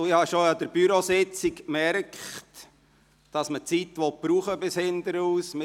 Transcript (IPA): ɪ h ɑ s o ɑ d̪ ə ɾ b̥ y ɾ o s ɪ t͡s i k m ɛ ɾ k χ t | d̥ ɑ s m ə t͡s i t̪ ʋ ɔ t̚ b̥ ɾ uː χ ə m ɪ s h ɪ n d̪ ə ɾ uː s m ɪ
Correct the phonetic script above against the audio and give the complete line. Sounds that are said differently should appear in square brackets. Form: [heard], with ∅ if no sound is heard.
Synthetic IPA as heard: ɪ h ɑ [ʃ] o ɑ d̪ ə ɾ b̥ y ɾ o s ɪ t͡s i k m ɛ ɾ k χ t | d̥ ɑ s m ə t͡s i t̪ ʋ ɔ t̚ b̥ ɾ uː χ ə [b] ɪ s h ɪ n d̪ ə ɾ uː s m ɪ